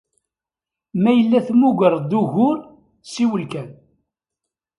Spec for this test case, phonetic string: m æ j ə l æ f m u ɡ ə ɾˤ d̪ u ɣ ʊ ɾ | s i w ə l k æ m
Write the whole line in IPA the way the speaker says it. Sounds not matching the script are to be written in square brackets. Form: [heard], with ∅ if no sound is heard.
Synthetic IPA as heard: m æ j ə [lː] æ [θ] m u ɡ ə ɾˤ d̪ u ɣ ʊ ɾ | s i w ə l k æ [n]